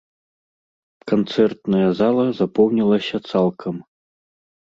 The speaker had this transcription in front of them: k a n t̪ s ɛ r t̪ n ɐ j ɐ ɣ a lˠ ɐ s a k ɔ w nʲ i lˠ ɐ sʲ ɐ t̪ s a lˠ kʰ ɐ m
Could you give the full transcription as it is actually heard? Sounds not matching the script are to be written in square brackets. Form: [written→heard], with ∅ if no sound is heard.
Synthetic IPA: k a n t̪ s ɛ r t̪ n ɐ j ɐ [ɣ→z] a lˠ ɐ [s→z] a [k→p] ɔ w nʲ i lˠ ɐ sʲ ɐ t̪ s a lˠ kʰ ɐ m